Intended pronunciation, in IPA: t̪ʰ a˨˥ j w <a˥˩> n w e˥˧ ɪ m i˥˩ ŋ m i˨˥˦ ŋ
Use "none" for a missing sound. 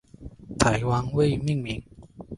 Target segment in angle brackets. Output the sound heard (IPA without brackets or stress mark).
a˦˥